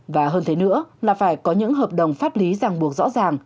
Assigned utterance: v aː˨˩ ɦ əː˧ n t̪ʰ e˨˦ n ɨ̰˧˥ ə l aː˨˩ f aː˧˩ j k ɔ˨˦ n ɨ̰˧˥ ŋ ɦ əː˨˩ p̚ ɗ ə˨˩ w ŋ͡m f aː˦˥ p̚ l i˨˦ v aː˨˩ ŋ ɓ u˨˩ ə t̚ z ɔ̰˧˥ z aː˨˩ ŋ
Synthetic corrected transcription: v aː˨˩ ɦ əː˧ n t̪ʰ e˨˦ n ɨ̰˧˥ ə l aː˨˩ f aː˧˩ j k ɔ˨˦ ɲ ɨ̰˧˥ ŋ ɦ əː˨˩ p̚ ɗ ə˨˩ w ŋ͡m f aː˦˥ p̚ l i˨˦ z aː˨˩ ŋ ɓ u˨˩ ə k̚ z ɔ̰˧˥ z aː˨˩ ŋ